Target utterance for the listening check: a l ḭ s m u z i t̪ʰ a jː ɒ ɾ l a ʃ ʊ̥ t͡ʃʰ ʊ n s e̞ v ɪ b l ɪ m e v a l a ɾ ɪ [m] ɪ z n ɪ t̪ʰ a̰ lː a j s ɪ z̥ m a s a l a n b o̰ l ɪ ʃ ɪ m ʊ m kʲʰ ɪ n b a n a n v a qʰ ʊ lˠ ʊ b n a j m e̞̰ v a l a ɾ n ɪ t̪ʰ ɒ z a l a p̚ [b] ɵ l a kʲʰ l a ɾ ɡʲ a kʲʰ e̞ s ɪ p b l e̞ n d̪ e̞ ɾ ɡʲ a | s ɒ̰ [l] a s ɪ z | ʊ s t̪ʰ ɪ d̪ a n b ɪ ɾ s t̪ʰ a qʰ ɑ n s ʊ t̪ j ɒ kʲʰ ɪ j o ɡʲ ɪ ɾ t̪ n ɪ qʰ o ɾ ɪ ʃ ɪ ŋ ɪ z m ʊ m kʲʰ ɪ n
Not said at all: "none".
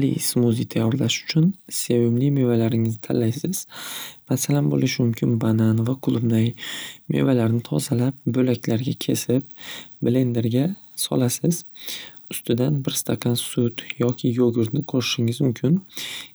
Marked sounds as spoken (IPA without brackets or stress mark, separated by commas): ŋ, b, l